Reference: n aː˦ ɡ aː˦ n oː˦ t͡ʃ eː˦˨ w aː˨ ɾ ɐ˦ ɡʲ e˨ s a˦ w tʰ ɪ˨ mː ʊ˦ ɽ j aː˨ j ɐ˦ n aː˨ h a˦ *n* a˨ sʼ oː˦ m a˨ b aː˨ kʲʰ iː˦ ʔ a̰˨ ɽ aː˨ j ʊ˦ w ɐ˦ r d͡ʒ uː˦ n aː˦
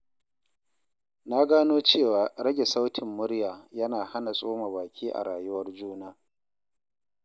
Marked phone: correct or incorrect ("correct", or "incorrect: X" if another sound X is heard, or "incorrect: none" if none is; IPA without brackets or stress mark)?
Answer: correct